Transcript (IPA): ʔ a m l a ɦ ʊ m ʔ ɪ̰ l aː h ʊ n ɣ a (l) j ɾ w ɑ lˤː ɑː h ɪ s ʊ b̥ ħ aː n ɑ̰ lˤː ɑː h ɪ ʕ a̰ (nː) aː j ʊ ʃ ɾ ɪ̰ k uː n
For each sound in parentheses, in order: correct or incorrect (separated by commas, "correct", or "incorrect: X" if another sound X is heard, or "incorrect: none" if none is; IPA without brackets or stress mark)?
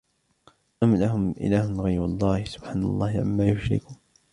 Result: incorrect: none, incorrect: mː